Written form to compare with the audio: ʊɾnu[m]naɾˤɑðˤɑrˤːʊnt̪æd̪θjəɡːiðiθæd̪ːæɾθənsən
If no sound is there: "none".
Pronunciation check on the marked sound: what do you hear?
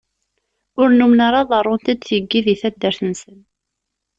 m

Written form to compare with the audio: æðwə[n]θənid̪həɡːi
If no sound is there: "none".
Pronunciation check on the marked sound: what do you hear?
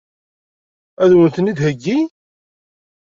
n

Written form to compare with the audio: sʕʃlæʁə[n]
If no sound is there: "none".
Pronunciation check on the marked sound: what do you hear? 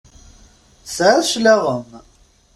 m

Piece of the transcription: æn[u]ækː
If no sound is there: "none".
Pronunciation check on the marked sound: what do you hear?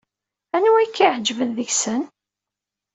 u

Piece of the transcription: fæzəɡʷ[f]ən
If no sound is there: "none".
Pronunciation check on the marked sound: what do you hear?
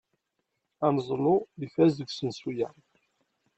s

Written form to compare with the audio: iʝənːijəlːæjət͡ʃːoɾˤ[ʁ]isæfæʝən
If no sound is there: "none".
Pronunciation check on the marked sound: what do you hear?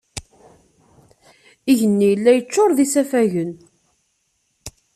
ð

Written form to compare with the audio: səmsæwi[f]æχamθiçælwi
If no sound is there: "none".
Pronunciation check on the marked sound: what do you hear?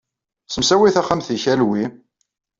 θ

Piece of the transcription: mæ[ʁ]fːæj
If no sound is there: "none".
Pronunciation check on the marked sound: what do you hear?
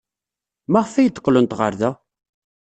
ʁ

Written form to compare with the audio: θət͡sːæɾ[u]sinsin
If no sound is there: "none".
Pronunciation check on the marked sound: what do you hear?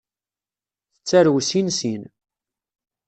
w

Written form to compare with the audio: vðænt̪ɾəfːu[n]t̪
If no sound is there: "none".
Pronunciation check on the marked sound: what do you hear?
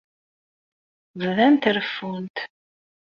n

